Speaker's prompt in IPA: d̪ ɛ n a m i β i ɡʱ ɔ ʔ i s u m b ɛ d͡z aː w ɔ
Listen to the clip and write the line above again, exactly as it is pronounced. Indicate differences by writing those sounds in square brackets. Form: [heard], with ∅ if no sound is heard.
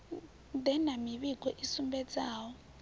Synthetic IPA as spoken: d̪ ɛ n a m i β i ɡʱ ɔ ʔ i s u m b ɛ d͡z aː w ɔ